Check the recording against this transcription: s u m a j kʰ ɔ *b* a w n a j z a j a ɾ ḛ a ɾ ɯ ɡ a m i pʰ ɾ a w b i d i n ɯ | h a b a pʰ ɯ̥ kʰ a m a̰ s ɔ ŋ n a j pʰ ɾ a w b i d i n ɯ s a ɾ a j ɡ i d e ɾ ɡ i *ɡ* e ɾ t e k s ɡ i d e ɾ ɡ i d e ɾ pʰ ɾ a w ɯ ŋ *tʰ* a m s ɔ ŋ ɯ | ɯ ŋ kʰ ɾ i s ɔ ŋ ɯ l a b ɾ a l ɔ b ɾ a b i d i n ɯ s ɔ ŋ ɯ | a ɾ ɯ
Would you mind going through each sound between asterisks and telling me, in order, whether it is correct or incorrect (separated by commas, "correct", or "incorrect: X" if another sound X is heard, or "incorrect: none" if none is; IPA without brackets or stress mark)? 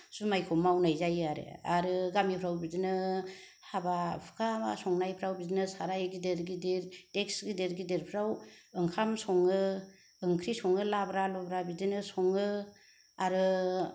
incorrect: m, incorrect: d, incorrect: kʰ